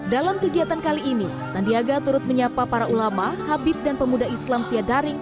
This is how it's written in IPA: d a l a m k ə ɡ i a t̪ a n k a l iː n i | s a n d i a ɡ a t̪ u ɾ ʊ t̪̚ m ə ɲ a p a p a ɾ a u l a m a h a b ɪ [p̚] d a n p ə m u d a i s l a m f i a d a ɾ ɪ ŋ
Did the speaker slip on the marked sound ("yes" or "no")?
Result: no